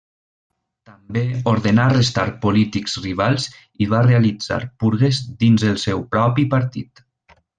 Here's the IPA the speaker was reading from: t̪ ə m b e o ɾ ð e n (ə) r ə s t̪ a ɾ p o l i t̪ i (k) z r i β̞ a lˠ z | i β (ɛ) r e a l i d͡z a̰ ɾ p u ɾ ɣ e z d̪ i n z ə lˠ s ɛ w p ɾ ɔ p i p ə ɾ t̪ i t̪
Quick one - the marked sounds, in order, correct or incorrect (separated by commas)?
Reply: incorrect, correct, incorrect